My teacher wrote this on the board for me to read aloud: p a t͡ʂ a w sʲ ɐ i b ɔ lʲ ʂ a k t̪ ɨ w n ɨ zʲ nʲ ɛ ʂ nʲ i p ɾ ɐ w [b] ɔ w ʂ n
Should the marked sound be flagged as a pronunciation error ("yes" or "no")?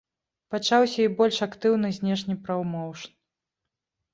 yes